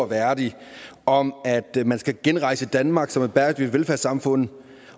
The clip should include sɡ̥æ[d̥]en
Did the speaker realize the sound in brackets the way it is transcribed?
no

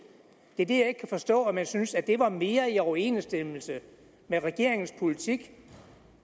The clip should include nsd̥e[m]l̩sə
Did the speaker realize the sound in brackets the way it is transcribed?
yes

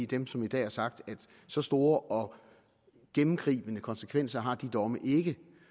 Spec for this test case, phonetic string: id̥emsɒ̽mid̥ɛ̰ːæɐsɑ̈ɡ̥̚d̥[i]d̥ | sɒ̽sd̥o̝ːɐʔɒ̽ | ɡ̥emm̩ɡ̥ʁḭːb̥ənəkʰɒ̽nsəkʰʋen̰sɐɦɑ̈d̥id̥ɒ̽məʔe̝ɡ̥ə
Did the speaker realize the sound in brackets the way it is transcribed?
no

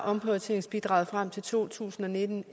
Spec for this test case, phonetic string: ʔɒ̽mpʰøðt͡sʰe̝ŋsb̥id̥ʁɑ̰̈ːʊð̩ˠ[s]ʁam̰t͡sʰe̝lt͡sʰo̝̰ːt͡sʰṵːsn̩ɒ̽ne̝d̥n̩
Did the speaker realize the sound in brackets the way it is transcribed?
no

